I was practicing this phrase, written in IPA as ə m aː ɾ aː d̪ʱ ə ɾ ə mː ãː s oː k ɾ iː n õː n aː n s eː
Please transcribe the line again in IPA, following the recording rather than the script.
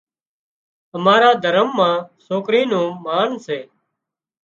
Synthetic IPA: ə m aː ɾ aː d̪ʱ ə ɾ ə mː ãː s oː k ɾ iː n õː m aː n s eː